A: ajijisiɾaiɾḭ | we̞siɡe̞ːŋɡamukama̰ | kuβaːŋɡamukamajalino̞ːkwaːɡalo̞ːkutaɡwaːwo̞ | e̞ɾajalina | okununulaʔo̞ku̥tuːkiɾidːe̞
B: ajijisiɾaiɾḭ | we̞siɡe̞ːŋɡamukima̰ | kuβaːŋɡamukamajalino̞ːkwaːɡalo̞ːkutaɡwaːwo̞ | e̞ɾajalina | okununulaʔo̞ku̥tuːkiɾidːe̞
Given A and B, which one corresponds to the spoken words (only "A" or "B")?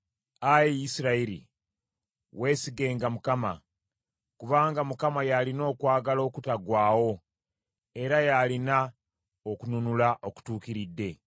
A